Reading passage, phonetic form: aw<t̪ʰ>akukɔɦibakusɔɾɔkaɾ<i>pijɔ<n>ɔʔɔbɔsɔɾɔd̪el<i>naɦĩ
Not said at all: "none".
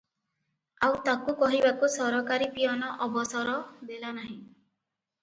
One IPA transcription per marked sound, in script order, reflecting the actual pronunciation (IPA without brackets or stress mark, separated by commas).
t̪, i, n, a